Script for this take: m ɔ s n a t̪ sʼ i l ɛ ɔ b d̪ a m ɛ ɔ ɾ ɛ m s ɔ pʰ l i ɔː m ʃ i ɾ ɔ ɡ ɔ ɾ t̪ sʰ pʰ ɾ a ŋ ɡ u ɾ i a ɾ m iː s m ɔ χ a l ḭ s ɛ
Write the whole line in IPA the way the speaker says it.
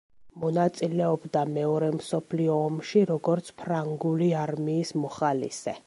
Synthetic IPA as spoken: m ɔ n a t̪ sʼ i l ɛ ɔ b d̪ a m ɛ ɔ ɾ ɛ m s ɔ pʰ l i ɔː m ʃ i ɾ ɔ ɡ ɔ ɾ t̪ sʰ pʰ ɾ a ŋ ɡ u l i a ɾ m iː s m ɔ χ a l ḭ s ɛ